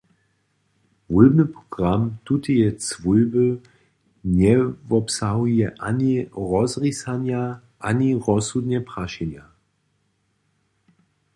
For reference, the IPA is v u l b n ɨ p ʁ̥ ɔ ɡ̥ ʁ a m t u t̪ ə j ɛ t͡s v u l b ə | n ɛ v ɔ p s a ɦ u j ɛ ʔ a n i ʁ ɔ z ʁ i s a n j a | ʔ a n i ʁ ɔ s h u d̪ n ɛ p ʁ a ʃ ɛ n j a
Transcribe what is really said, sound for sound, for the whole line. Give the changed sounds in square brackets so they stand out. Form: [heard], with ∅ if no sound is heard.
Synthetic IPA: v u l b n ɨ p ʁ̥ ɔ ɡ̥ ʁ a m t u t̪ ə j ɛ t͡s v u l b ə | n ɛ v ɔ p s a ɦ u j ɛ ʔ a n i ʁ ɔ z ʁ i s a n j a | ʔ a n i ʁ ɔ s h u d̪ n ɛ p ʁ a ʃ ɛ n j a